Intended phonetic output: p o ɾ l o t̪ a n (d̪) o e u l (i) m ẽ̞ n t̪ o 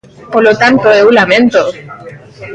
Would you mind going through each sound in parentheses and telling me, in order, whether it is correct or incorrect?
incorrect: t̪, incorrect: a

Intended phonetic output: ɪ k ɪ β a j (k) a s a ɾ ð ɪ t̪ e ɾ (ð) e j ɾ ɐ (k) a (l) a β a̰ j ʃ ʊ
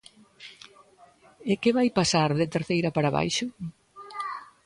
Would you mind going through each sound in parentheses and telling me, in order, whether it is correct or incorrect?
incorrect: p, incorrect: θ, incorrect: p, incorrect: ɾ

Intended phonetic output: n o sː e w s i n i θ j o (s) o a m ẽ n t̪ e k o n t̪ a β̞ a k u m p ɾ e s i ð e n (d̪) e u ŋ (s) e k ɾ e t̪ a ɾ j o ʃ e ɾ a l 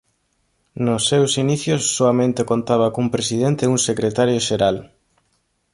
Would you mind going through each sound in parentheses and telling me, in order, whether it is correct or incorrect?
incorrect: sː, incorrect: t̪, correct

